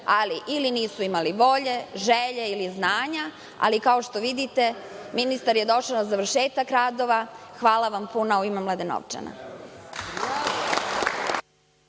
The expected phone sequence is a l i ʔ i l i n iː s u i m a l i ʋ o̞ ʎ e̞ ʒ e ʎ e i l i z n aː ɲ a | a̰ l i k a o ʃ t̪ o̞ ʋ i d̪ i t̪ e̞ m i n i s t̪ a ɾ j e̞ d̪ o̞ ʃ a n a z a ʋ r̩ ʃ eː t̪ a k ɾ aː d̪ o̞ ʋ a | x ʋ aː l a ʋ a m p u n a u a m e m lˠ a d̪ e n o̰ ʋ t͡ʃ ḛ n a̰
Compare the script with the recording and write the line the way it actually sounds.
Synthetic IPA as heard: a l i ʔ i l i n iː s u i m a l i ʋ o̞ ʎ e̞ ʒ e ʎ e i l i z n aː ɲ a | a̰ l i k a o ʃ t̪ o̞ ʋ i d̪ i t̪ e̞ m i n i s t̪ a ɾ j e̞ d̪ o̞ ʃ a n a z a ʋ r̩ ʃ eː t̪ a k ɾ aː d̪ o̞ ʋ a | x ʋ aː l a ʋ a m p u n a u i m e m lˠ a d̪ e n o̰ ʋ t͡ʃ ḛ n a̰

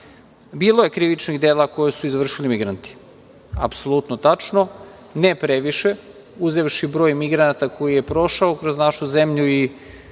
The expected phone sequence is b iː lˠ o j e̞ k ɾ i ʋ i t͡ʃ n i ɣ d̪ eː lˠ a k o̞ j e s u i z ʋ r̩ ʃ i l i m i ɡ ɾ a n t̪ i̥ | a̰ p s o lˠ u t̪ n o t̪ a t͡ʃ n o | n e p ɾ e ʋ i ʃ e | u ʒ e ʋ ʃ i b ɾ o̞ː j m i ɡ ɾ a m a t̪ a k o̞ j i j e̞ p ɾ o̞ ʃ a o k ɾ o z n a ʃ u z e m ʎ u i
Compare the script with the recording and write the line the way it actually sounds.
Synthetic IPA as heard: b iː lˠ o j e̞ k ɾ i ʋ i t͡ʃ n i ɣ d̪ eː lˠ a k o̞ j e s u i z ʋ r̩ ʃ i l i m i ɡ ɾ a n t̪ i̥ | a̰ p s o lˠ u t̪ n o t̪ a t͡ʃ n o | n e p ɾ e ʋ i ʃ e | u z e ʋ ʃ i b ɾ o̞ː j m i ɡ ɾ a n a t̪ a k o̞ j i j e̞ p ɾ o̞ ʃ a o k ɾ o z n a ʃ u z e m ʎ u i

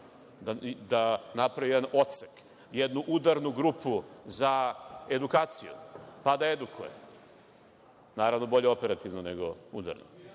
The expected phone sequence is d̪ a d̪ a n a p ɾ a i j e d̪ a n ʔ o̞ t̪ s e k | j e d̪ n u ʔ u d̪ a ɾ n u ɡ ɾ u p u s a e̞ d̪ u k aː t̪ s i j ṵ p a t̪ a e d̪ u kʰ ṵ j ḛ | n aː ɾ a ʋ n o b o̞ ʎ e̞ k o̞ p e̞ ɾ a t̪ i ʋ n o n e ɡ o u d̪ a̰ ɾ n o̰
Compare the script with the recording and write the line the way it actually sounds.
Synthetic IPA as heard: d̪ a d̪ a n a p ɾ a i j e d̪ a n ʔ o̞ t̪ s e k | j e d̪ n u ʔ u d̪ a ɾ n u ɡ ɾ u p u z a e̞ d̪ u k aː t̪ s i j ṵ p a d̪ a e d̪ u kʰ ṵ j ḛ | n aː ɾ a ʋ n o b o̞ ʎ e̞ o̞ p e̞ ɾ a t̪ i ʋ n o n e ɡ o u d̪ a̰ ɾ n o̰

